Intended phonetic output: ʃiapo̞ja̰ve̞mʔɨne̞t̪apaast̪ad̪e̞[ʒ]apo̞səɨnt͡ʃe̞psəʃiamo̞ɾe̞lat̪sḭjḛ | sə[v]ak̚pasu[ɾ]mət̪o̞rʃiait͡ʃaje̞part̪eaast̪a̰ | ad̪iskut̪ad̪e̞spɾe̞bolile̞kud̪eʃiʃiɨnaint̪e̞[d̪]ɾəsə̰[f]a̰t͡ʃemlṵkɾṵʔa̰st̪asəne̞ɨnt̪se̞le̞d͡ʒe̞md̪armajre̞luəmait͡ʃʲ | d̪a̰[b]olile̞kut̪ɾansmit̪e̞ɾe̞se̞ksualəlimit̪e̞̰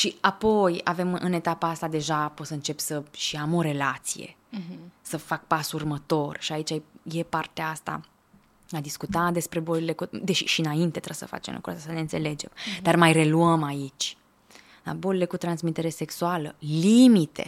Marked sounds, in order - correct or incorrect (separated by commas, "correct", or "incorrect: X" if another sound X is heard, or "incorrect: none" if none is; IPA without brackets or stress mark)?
correct, incorrect: f, incorrect: r, incorrect: t̪, correct, correct